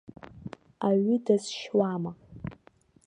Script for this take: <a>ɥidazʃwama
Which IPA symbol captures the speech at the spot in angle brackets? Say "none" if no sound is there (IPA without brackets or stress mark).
a